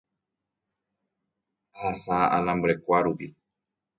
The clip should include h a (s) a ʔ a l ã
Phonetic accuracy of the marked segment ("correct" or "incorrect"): correct